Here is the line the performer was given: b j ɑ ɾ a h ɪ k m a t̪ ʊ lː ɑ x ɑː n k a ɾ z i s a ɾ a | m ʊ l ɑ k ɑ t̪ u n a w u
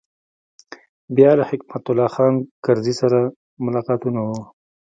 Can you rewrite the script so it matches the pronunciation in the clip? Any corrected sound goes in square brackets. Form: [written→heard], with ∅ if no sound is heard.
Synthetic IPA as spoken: b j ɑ [ɾ→l] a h ɪ k m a t̪ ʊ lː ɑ x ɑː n k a ɾ z i s a ɾ a | m ʊ l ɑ [k→q] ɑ t̪ u n a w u

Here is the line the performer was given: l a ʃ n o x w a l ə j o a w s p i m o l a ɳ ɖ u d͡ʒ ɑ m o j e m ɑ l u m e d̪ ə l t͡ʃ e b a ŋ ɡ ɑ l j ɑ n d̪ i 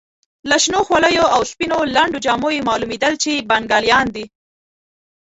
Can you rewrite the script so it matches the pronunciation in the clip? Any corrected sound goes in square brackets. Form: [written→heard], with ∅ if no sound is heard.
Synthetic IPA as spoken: l a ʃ n o x w a l ə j o a w s p i [m→n] o l a ɳ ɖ [u→o] d͡ʒ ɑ m o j e m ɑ l u m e d̪ ə l t͡ʃ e b a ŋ ɡ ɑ l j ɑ n d̪ i

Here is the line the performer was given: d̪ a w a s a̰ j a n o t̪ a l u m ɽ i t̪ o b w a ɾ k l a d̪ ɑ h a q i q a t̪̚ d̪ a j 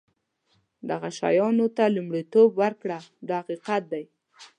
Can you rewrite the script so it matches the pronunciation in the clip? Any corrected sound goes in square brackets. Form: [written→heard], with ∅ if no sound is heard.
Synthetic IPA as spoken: d̪ a [w→ɣ] a [s→ʃ] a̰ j [a→ɑ] n o t̪ a l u m ɽ i t̪ o b w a ɾ k [l→ɽ] a d̪ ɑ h a q i q a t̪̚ d̪ a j

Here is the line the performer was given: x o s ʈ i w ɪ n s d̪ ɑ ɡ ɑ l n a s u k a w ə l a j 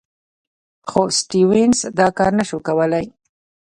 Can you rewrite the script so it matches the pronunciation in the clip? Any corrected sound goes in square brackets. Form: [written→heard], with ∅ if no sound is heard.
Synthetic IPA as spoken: x o s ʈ i w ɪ n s d̪ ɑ [ɡ→k] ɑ [l→ɾ] n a [s→ʃ] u k a w ə l a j

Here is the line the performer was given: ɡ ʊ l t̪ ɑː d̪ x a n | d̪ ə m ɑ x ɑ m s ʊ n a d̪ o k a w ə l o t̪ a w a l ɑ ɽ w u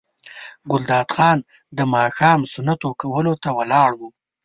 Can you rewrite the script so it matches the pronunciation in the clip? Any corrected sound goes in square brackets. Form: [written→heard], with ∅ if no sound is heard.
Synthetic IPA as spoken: ɡ ʊ l [t̪→d̪] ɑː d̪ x [a→ɑ] n | d̪ ə m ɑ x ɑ m s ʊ n a [d̪→t̪] o k a w ə l o t̪ a w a l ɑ ɽ w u

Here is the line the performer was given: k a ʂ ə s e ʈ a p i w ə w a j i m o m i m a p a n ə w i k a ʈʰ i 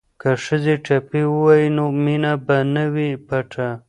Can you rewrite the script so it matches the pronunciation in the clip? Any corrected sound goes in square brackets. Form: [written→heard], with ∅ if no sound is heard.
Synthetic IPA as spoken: k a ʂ ə [s→z] e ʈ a p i w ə w a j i [m→n] o m i [m→n] a [p→b] a n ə w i [k→p] a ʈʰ [i→a]

